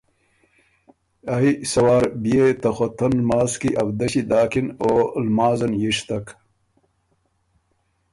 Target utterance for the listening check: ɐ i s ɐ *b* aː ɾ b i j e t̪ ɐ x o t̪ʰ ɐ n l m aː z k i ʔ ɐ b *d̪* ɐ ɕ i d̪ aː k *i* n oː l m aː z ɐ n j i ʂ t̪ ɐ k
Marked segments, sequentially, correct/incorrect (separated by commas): incorrect, correct, correct